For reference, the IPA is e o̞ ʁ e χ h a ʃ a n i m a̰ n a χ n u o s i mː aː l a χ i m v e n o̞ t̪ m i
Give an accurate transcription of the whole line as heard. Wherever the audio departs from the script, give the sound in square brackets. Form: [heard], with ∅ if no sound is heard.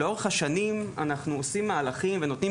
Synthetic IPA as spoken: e o̞ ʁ e χ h a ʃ a n i m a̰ n a χ n u o s i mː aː l a χ i m v e n o̞ t̪ [n] i